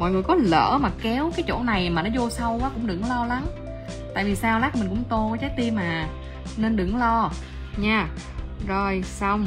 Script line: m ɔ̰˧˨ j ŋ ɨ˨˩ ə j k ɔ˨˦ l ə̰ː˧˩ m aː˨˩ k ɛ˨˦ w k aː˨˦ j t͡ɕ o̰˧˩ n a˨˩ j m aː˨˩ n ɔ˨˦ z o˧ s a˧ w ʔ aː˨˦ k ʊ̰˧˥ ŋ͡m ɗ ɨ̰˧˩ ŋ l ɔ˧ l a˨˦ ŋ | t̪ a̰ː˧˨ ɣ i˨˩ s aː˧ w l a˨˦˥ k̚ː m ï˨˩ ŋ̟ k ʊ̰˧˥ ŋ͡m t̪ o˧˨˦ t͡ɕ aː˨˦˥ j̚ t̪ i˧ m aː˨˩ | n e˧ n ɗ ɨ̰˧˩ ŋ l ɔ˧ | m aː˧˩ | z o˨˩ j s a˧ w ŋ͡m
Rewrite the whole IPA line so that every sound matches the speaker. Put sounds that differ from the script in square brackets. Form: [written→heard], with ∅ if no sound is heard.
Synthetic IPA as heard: m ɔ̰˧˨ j ŋ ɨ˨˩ ə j k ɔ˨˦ l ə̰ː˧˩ m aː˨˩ k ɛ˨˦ w k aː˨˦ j t͡ɕ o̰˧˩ n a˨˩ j m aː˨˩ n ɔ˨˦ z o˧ s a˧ w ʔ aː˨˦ k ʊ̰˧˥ ŋ͡m ɗ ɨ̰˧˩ ŋ l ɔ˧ l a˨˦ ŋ | t̪ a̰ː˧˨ [ɣ→v] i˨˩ s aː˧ w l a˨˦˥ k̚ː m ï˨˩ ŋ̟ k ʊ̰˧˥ ŋ͡m t̪ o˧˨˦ t͡ɕ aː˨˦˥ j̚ t̪ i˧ m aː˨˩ | n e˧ n ɗ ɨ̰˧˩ ŋ l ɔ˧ | [m→ɲ] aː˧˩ | z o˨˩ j s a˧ w ŋ͡m